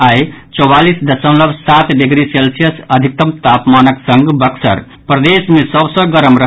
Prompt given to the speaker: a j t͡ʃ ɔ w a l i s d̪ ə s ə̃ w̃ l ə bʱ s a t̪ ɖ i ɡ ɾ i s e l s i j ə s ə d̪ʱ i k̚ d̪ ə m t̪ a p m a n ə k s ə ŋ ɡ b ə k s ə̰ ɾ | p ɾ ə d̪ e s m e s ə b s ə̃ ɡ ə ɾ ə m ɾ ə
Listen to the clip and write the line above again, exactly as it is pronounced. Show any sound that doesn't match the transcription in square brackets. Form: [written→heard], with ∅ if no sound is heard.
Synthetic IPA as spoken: a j t͡ʃ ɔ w a l i s d̪ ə s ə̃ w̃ l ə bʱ s a t̪ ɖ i ɡ ɾ i s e l s i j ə s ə d̪ʱ i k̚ [d̪→t̪] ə m t̪ a p m a n ə k s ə ŋ ɡ b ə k s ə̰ ɾ | p ɾ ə d̪ e s m e s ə b s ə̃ ɡ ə ɾ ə m ɾ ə